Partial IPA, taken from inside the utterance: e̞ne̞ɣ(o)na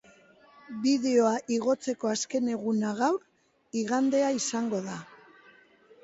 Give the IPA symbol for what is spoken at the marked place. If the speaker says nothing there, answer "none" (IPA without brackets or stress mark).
u